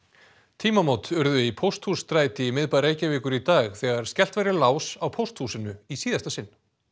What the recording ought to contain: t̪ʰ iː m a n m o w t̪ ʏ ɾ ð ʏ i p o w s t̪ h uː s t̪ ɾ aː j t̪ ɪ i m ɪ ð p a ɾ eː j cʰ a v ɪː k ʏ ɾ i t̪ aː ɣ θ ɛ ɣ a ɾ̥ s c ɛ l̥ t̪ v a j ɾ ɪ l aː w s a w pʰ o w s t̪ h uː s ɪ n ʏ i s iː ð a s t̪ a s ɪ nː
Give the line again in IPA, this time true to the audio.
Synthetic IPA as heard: t̪ʰ iː m a m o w t̪ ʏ ɾ ð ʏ i pʰ o w s t̪ h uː s t̪ ɾ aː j t̪ ɪ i m ɪ ð p a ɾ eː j c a v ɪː k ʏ ɾ i t̪ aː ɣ θ ɛ ɣ a ɾ̥ s c ɛ l̥ t̪ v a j ɾ ɪ l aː w s a w pʰ o w s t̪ h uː s ɪ n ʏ i s iː ð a s t̪ a s ɪ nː